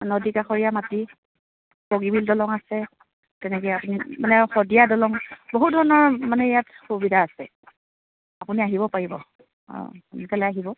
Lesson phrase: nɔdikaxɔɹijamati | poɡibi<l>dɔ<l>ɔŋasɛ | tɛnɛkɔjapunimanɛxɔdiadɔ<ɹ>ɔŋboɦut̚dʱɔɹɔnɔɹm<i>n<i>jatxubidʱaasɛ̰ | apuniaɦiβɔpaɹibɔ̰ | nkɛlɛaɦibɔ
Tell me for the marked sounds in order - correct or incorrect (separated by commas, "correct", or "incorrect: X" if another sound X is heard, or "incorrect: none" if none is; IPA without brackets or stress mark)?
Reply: correct, correct, incorrect: l, incorrect: a, incorrect: ɛ